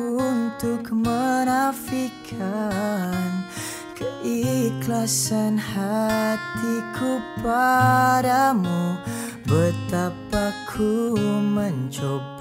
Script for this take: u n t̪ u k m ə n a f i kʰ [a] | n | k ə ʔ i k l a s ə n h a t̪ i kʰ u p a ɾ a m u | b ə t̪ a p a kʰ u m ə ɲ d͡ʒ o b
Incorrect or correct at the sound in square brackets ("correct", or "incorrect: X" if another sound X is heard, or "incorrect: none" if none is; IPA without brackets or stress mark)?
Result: correct